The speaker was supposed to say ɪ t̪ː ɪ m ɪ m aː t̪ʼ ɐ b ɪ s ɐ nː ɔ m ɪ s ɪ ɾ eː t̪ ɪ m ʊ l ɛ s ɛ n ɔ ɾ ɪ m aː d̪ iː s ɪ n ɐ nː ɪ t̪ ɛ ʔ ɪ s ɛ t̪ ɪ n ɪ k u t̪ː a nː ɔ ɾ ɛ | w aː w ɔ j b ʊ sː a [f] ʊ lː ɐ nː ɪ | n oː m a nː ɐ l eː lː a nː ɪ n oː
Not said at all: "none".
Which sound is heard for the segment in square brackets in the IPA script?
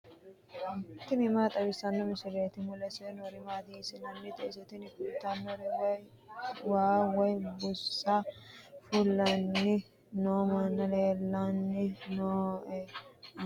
f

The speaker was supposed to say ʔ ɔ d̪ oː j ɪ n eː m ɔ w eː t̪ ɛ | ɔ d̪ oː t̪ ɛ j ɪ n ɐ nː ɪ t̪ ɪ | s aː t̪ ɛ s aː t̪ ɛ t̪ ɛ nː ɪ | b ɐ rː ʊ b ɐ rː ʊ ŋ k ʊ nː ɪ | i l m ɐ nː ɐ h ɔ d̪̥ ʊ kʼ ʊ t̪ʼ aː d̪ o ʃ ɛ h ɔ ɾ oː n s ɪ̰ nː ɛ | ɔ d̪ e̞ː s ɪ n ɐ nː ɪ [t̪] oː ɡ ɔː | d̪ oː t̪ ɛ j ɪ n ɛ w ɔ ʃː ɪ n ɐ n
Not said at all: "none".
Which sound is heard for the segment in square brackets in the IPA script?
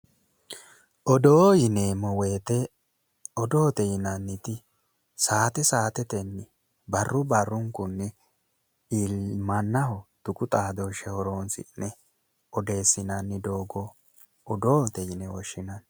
d̪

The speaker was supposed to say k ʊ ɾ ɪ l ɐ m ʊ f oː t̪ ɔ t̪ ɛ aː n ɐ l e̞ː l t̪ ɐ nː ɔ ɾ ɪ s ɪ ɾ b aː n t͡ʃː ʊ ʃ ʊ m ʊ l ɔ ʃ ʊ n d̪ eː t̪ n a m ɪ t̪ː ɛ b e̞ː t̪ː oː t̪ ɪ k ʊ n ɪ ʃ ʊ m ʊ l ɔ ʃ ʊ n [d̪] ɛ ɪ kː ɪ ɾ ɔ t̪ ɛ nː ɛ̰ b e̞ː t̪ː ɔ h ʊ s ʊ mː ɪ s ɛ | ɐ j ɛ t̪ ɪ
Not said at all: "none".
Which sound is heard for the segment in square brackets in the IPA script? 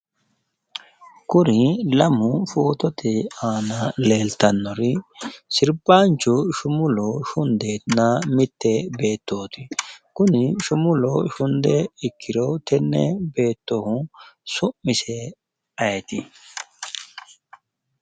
d̪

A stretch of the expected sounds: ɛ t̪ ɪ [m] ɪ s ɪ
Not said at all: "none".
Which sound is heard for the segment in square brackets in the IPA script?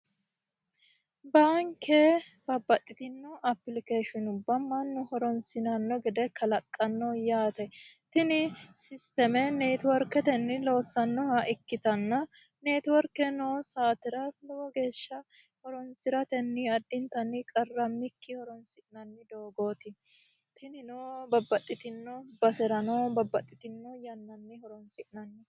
n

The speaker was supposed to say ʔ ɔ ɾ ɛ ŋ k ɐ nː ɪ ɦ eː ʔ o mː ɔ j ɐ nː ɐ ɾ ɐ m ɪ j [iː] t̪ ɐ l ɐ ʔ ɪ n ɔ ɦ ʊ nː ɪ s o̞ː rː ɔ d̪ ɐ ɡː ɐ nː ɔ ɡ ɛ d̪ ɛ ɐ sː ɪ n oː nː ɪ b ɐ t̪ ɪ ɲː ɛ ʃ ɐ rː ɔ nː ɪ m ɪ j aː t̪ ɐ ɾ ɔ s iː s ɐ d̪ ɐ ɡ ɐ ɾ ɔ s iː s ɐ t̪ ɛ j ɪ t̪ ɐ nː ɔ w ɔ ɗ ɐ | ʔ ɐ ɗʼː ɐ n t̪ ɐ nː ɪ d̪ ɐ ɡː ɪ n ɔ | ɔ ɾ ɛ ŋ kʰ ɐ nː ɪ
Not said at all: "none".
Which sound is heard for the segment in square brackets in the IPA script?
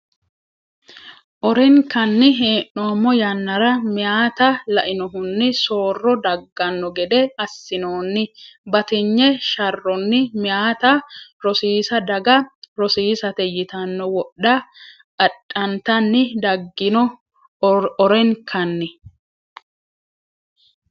aː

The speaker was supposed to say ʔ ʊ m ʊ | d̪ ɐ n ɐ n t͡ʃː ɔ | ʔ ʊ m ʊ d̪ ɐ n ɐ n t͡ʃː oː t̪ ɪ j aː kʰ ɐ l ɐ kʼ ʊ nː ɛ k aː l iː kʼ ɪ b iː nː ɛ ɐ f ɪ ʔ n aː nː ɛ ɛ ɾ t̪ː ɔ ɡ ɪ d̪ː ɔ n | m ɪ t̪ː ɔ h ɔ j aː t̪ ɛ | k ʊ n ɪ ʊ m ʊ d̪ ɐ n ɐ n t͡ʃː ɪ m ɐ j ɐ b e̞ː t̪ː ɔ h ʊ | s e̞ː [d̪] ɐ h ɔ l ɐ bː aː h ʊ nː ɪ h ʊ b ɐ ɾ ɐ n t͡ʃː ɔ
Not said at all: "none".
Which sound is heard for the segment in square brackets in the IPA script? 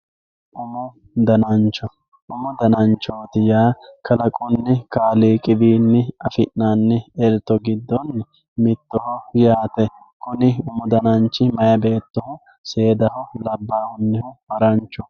d̪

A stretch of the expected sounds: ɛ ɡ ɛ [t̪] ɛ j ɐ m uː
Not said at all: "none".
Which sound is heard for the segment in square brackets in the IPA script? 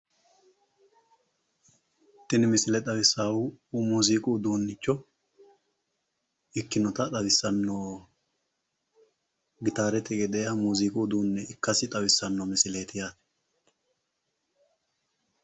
d̪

